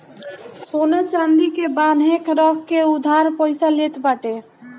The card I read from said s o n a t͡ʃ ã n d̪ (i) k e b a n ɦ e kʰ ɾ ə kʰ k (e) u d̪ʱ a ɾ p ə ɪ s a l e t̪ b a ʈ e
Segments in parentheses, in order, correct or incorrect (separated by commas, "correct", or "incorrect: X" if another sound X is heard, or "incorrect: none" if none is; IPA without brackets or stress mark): correct, correct